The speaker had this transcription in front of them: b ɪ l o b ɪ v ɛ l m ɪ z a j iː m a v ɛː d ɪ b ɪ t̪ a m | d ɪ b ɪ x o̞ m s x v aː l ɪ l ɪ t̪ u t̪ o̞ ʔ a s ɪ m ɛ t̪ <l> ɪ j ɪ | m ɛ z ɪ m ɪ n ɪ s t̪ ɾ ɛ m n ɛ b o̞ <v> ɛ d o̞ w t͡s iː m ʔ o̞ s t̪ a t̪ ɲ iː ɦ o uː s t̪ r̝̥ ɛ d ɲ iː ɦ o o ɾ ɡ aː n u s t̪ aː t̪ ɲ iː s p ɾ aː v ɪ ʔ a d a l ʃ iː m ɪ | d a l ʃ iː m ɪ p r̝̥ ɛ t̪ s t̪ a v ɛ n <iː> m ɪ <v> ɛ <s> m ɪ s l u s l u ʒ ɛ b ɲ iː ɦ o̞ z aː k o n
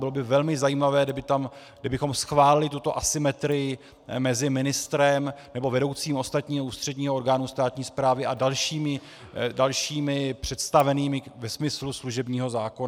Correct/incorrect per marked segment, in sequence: incorrect, correct, correct, correct, correct

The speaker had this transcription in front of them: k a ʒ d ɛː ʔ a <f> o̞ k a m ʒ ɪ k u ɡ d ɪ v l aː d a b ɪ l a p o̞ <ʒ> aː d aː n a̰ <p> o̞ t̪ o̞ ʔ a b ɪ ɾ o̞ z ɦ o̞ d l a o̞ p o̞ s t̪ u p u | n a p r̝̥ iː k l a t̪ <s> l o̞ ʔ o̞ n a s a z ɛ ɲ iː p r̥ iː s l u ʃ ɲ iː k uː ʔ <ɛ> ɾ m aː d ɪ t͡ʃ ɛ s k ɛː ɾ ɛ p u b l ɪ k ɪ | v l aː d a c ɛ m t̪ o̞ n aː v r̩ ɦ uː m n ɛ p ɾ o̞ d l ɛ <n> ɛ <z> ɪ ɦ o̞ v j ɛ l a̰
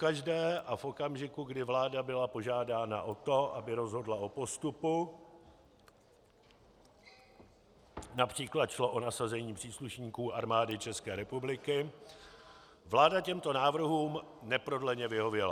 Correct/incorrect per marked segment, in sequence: correct, correct, incorrect, incorrect, incorrect, incorrect, incorrect

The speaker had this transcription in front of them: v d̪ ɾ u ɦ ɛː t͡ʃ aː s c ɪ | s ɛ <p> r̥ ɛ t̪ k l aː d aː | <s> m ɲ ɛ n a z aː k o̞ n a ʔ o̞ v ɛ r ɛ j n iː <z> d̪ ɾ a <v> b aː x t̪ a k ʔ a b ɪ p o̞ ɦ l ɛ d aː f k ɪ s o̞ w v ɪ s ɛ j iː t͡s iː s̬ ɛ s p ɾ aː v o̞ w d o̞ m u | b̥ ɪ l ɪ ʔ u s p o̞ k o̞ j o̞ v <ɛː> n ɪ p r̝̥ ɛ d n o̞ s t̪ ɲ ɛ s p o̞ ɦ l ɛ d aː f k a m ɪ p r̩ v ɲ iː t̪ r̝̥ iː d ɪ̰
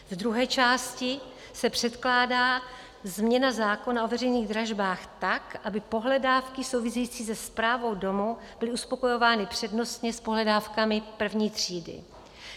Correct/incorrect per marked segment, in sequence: correct, incorrect, incorrect, incorrect, incorrect

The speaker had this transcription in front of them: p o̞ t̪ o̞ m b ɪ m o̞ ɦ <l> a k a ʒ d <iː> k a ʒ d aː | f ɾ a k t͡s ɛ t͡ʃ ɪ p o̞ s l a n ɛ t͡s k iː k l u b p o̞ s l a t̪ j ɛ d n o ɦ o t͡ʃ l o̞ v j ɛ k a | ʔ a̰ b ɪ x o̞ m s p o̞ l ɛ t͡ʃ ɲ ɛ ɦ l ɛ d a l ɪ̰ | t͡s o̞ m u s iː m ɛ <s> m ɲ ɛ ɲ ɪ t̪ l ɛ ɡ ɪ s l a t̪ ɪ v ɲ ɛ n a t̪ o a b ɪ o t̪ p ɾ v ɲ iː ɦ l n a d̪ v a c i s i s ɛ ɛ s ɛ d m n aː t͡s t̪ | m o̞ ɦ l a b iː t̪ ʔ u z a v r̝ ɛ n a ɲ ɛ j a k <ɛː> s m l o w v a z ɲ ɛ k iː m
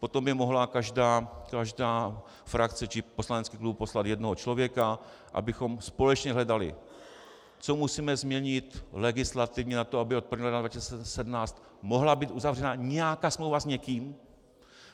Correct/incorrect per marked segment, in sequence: correct, incorrect, incorrect, incorrect

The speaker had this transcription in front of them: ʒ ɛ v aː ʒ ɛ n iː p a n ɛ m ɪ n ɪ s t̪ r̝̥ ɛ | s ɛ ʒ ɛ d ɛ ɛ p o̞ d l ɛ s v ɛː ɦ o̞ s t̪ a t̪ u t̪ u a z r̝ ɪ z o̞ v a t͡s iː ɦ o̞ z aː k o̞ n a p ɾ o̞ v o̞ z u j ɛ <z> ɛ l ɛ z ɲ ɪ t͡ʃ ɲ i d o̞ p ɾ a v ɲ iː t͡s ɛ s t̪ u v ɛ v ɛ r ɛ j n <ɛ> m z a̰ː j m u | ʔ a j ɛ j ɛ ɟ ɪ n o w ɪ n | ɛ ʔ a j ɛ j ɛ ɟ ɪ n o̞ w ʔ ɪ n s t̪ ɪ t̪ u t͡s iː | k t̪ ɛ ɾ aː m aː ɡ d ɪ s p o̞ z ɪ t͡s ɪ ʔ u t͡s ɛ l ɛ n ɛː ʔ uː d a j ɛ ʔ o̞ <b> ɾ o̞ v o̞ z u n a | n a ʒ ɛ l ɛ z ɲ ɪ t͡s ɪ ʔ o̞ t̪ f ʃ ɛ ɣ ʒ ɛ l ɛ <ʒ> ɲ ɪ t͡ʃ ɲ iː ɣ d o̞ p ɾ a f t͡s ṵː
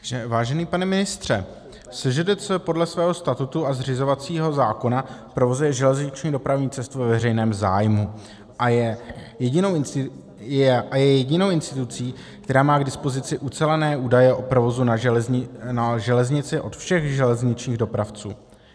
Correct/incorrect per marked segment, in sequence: incorrect, incorrect, incorrect, incorrect

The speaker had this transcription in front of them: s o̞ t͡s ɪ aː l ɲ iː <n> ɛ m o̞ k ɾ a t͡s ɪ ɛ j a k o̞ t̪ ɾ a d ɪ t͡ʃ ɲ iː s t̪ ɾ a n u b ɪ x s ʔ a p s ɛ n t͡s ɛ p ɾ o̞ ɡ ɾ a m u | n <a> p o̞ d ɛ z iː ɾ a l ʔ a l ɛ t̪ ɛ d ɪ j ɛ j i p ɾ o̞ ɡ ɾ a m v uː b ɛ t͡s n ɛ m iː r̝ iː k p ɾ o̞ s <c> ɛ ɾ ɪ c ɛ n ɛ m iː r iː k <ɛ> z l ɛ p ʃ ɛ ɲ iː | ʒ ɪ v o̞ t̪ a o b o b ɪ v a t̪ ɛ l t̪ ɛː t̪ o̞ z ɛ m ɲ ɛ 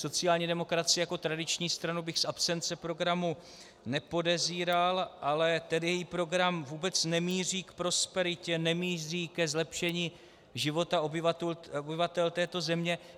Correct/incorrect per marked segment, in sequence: incorrect, incorrect, incorrect, correct

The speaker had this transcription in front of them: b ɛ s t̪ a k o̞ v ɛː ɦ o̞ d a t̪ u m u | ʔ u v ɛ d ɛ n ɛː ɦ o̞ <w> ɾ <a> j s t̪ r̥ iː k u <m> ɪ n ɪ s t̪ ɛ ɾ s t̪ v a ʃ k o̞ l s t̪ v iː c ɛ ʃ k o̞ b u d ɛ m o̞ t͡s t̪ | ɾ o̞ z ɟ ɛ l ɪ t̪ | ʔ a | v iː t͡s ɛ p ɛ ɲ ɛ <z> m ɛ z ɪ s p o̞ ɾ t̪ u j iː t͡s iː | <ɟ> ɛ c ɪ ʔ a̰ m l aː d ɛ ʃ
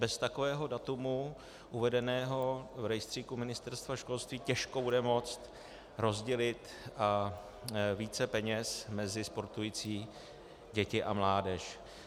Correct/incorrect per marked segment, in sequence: incorrect, incorrect, correct, incorrect, correct

